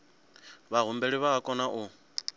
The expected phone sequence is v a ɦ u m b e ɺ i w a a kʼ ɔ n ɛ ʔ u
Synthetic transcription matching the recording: β a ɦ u m b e ɺ i β a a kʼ ɔ n a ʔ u